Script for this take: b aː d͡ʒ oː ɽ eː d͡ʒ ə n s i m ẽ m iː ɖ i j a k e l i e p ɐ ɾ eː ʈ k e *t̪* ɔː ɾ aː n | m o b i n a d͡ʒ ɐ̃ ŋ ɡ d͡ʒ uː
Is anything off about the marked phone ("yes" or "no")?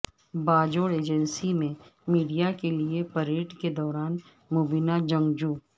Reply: yes